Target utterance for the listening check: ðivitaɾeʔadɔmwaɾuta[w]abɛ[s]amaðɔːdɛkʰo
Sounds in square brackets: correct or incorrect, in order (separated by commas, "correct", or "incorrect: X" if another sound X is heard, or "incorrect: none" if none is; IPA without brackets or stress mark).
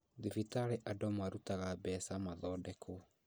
incorrect: ɣ, correct